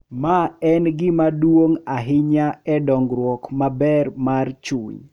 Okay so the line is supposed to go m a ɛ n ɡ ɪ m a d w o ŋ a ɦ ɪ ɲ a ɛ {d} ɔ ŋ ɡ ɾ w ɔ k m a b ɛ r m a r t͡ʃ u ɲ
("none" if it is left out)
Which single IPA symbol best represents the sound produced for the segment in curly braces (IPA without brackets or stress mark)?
d